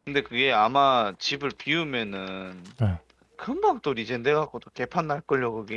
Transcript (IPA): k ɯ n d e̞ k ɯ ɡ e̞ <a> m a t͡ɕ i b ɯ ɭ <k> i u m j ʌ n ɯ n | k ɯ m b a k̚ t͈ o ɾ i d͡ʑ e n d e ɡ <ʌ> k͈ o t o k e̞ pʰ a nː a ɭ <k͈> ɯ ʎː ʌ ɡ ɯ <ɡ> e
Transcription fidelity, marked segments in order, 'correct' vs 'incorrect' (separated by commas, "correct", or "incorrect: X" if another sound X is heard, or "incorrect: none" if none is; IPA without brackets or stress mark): correct, incorrect: p, incorrect: a, correct, correct